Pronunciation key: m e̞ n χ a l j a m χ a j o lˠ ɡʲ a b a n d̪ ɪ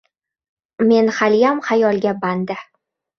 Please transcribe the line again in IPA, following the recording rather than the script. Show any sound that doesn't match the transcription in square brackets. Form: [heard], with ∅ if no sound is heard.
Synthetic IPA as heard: m e̞ n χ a l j a m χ a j [ɒ] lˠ ɡʲ a b a n d̪ ɪ